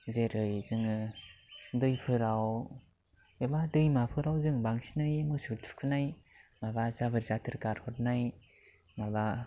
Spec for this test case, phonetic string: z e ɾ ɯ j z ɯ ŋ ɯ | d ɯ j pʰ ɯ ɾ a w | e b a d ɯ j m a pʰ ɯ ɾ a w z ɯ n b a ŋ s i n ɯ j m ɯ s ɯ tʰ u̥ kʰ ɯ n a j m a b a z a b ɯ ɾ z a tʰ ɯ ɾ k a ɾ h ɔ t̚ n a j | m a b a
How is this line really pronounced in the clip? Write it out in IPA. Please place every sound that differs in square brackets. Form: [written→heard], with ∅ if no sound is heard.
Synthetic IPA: z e ɾ ɯ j z ɯ ŋ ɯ | d ɯ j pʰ ɯ ɾ a w | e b a d ɯ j m a pʰ ɯ ɾ a w z ɯ [n→ŋ] b a ŋ s i n ɯ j m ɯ s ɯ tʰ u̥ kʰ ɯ n a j m a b a z a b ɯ ɾ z a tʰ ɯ ɾ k a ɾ h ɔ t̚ n a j | m a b a